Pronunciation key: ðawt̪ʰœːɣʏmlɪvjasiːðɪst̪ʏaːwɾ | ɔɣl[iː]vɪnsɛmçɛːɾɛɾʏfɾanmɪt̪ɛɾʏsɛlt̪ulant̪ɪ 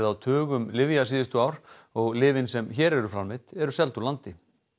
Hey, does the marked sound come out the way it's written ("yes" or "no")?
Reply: no